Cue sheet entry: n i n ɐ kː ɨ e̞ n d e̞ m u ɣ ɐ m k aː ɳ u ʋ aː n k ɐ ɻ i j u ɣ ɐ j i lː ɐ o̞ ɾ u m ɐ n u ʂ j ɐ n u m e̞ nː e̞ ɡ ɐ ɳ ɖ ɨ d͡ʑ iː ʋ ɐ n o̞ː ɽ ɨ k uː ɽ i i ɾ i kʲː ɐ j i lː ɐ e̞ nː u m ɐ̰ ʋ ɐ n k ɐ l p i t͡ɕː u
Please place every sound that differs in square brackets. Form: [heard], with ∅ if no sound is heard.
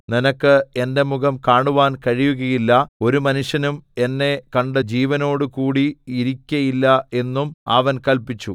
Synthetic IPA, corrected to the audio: n i n ɐ kː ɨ e̞ n d e̞ m u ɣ ɐ m k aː ɳ u ʋ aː n k ɐ ɻ i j u ɣ ɐ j i lː ɐ o̞ ɾ u m ɐ n u ʂ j ɐ n u m e̞ nː e̞ [k] ɐ ɳ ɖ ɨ d͡ʑ iː ʋ ɐ n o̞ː ɽ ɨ k uː ɽ i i ɾ i kʲː ɐ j i lː ɐ e̞ nː u m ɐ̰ ʋ ɐ n k ɐ l p i t͡ɕː u

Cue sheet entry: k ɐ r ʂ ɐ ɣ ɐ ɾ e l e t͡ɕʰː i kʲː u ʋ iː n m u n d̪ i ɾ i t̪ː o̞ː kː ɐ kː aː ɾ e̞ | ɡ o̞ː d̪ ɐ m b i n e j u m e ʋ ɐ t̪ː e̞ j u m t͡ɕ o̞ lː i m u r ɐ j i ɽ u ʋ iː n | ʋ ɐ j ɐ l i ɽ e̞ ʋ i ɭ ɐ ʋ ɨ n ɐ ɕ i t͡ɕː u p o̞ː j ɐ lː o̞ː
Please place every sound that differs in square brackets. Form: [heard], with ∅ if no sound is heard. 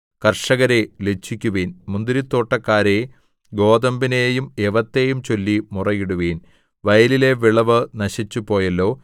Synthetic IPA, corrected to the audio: k ɐ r ʂ ɐ ɣ ɐ ɾ e l e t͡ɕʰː i kʲː u ʋ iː n m u n d̪ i ɾ i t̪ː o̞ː [ʈː] ɐ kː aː ɾ e̞ | ɡ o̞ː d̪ ɐ m b i n e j u m e ʋ ɐ t̪ː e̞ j u m t͡ɕ o̞ lː i m u r ɐ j i ɽ u ʋ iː n | ʋ ɐ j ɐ l i [l] e̞ ʋ i ɭ ɐ ʋ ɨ n ɐ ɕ i t͡ɕː u p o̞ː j ɐ lː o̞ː

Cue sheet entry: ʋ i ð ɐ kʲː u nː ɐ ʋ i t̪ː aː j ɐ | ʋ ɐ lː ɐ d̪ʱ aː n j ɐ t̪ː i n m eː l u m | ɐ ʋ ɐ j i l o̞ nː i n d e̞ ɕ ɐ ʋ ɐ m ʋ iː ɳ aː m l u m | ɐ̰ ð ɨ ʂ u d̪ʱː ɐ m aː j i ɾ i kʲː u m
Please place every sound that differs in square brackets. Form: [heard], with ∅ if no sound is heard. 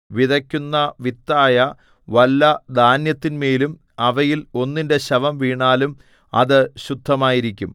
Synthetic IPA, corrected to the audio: ʋ i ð ɐ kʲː u nː ɐ ʋ i t̪ː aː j ɐ | ʋ ɐ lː ɐ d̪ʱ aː n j ɐ t̪ː i n m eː l u m | ɐ ʋ ɐ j i l o̞ nː i n d e̞ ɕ ɐ ʋ ɐ m ʋ iː ɳ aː [∅] l u m | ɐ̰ ð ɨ [ɕ] u d̪ʱː ɐ m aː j i ɾ i kʲː u m

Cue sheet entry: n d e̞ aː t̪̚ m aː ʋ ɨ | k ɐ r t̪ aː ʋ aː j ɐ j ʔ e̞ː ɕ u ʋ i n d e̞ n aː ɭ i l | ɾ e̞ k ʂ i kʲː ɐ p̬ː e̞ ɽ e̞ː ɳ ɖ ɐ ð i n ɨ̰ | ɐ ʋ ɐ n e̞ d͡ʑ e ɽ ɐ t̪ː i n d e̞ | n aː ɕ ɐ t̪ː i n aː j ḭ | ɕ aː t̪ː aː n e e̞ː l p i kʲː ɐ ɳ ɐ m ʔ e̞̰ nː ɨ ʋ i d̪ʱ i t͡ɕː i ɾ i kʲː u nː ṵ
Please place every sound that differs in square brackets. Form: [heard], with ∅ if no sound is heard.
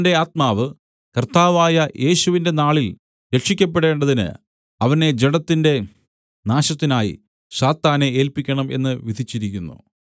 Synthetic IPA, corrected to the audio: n d e̞ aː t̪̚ m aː ʋ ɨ | k ɐ r t̪ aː ʋ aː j ɐ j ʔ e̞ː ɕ u ʋ i n d e̞ n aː ɭ i l | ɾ e̞ k ʂ i kʲː ɐ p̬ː e̞ ɽ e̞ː ɳ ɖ ɐ ð i n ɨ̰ | ɐ ʋ ɐ n e̞ d͡ʑ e ɽ ɐ t̪ː i n d e̞ | n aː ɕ ɐ t̪ː i n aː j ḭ | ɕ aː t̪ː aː n e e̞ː l p i kʲː ɐ ɳ ɐ m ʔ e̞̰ nː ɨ ʋ i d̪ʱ i t͡ɕː i ɾ i kʲː u nː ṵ

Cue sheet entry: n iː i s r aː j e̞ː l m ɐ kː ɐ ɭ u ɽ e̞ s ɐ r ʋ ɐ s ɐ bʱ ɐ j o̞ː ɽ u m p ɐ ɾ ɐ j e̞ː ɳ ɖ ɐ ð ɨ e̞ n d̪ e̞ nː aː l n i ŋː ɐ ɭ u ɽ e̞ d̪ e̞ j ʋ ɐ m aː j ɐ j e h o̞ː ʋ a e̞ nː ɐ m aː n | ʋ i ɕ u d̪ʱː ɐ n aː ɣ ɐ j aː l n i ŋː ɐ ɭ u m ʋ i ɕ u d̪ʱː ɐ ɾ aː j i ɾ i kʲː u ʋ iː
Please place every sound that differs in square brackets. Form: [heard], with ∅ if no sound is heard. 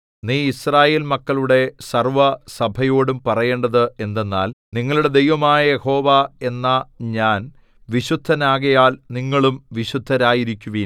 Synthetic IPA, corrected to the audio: n iː i s r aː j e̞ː l m ɐ kː ɐ ɭ u ɽ e̞ s ɐ r ʋ ɐ s ɐ bʱ ɐ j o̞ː ɽ u m p ɐ [r] ɐ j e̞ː ɳ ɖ ɐ ð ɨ e̞ n d̪ e̞ nː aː l n i ŋː ɐ ɭ u ɽ e̞ d̪ e̞ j ʋ ɐ m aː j ɐ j e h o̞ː ʋ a e̞ nː ɐ [ɲ] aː n | ʋ i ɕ u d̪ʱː ɐ n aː ɣ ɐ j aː l n i ŋː ɐ ɭ u m ʋ i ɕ u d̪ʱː ɐ ɾ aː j i ɾ i kʲː u ʋ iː

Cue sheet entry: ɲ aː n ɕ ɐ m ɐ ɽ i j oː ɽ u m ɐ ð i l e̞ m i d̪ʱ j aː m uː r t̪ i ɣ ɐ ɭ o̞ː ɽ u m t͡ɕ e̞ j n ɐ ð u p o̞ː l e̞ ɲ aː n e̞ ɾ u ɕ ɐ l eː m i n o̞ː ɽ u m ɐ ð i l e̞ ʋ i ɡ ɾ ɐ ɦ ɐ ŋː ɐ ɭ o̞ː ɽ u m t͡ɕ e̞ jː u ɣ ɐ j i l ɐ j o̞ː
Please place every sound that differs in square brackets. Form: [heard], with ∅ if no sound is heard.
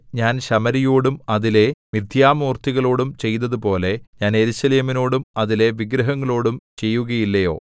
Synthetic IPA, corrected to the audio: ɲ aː n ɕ ɐ m ɐ [ɾ] i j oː ɽ u m ɐ ð i l e̞ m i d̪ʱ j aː m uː r t̪ i ɣ ɐ ɭ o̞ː ɽ u m t͡ɕ e̞ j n ɐ ð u p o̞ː l e̞ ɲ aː n e̞ ɾ u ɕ ɐ l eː m i n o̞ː ɽ u m ɐ ð i l e̞ ʋ i ɡ ɾ ɐ ɦ ɐ ŋː ɐ ɭ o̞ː ɽ u m t͡ɕ e̞ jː u ɣ ɐ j i [lː] ɐ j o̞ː

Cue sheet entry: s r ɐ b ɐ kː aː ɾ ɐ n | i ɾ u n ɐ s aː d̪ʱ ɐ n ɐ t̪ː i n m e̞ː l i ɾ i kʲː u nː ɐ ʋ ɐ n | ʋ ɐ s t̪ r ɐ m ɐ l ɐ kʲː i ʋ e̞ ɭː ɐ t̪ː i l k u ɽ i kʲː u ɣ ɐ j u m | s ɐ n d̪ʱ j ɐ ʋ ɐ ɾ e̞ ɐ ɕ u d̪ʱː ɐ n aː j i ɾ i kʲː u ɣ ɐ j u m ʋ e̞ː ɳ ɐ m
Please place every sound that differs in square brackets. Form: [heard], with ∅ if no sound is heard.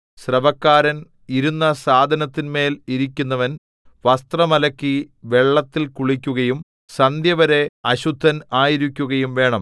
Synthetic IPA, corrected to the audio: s r ɐ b ɐ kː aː ɾ ɐ n | i ɾ u [nː] ɐ s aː d̪ʱ ɐ n ɐ t̪ː i n m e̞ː l i ɾ i kʲː u nː ɐ ʋ ɐ n | ʋ ɐ s t̪ r ɐ m ɐ l ɐ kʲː i ʋ e̞ ɭː ɐ t̪ː i l k u [ɭ] i kʲː u ɣ ɐ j u m | s ɐ n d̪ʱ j ɐ ʋ ɐ ɾ e̞ ɐ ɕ u d̪ʱː ɐ n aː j i ɾ i kʲː u ɣ ɐ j u m ʋ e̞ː ɳ ɐ m

